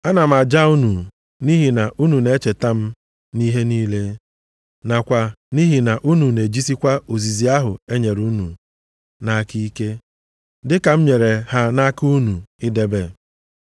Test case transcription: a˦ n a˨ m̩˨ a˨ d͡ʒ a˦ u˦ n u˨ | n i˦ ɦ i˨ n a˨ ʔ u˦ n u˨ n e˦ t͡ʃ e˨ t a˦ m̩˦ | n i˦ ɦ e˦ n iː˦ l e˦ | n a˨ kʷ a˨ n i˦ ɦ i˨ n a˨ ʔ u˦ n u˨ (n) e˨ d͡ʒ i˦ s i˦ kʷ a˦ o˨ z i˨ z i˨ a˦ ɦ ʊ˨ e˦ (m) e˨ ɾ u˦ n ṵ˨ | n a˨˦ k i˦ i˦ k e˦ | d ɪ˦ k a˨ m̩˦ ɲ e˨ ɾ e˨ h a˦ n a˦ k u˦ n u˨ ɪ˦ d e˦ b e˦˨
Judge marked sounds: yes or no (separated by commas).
yes, no